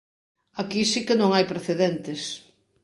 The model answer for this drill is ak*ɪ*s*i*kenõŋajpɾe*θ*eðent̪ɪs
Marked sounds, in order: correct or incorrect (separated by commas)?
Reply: incorrect, correct, correct